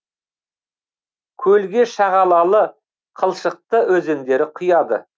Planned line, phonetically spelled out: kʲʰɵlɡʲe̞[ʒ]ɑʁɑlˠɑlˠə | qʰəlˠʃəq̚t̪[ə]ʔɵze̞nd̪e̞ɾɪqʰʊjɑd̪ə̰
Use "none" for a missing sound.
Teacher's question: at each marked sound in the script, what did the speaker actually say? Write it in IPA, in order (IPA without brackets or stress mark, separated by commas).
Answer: ʃ, ə